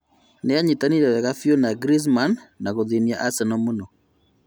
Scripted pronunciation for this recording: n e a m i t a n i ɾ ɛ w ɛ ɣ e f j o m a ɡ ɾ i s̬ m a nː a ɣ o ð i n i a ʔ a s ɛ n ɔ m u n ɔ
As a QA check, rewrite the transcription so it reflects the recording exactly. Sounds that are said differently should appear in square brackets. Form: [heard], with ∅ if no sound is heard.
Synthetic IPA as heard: n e a [ɲ] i t a n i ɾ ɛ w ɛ ɣ [a] f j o [n] a ɡ ɾ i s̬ m a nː a ɣ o ð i n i a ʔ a s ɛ n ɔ m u n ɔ